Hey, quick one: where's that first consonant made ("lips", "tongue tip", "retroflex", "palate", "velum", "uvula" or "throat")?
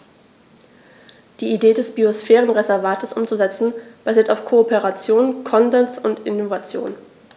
tongue tip